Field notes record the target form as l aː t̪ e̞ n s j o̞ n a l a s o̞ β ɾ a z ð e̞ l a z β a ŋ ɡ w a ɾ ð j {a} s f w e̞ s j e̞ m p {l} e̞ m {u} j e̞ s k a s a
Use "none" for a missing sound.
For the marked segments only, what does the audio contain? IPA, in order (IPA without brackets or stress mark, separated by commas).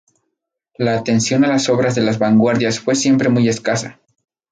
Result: a, ɾ, u